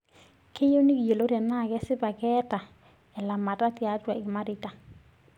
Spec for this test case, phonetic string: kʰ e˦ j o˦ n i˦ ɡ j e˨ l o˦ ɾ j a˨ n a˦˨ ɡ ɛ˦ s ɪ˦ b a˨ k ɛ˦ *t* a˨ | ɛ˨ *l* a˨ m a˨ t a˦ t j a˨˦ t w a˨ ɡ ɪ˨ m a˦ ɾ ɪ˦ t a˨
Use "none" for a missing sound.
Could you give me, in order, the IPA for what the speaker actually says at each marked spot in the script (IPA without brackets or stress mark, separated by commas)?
t, l